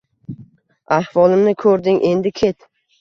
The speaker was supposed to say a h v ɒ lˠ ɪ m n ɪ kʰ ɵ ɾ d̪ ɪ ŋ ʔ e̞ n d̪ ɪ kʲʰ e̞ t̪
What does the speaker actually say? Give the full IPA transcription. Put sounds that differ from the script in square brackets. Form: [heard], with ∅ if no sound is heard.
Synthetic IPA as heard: a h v ɒ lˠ ɪ m n ɪ kʰ ɵ ɾ d̪ ɪ ŋ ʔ e̞ n d̪ ɪ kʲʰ e̞ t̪